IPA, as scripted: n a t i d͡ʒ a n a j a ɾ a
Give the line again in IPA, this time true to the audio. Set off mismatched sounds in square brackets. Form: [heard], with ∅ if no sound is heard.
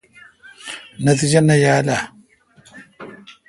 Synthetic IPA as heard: n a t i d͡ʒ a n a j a [l] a